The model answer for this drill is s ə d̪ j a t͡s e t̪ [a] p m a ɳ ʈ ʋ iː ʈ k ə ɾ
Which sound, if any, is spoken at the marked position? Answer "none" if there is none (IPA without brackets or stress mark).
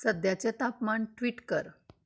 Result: a